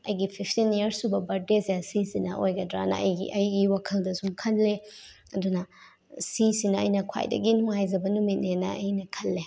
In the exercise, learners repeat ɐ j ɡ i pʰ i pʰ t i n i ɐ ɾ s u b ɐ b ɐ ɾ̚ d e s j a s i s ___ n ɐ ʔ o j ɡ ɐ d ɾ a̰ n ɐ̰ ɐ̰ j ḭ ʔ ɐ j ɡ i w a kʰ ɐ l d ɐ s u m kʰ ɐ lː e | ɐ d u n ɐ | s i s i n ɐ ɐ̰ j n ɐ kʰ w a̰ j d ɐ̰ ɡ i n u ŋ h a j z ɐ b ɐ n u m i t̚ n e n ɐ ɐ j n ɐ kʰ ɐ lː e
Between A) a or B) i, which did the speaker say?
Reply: B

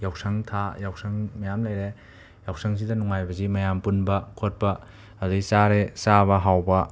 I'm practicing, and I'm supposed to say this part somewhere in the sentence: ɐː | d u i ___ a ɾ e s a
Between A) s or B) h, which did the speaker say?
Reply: A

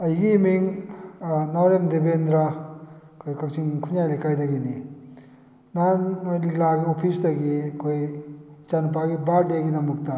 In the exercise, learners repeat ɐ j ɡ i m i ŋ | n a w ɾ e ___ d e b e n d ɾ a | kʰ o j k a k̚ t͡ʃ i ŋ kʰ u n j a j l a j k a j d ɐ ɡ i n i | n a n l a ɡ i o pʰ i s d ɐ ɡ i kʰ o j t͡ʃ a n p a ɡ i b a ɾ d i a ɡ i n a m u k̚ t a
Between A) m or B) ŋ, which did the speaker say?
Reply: A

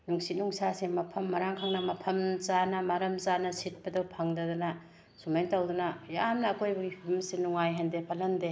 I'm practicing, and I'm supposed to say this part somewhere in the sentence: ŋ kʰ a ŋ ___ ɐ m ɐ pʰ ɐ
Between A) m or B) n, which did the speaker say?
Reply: B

